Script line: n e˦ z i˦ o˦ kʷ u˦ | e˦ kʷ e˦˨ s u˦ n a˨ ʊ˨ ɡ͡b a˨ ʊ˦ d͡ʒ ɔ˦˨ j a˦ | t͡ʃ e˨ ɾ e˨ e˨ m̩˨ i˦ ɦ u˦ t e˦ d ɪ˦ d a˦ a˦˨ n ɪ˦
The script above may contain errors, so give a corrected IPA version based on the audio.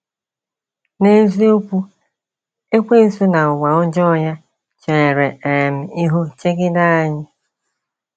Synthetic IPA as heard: n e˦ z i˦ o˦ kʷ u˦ | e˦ kʷ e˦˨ s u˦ n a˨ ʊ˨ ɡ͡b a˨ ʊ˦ d͡ʒ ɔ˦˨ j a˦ | t͡ʃ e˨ ɾ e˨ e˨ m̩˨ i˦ ɦ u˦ t͡ʃ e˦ ɡ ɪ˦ d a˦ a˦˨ ɲ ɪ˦